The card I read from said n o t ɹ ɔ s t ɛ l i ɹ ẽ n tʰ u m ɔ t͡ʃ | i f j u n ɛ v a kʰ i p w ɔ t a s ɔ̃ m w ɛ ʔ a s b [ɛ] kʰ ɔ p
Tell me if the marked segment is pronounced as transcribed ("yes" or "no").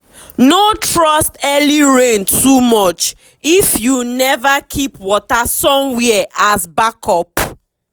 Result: no